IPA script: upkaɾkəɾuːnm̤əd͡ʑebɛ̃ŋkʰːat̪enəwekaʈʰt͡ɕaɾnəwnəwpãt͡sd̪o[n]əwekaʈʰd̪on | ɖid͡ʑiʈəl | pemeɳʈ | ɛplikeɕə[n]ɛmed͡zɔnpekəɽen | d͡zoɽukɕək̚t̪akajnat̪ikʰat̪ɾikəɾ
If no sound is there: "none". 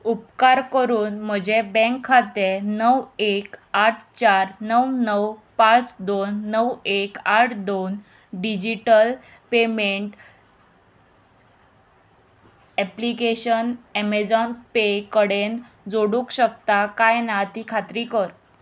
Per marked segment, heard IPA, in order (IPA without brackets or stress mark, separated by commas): nː, n